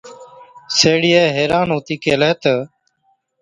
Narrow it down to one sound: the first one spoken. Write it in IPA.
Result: s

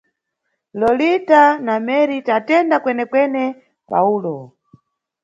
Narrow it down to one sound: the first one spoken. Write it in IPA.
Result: l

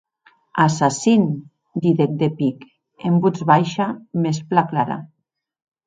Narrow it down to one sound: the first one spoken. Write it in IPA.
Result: a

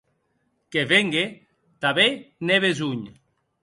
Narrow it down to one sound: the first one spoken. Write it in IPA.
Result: k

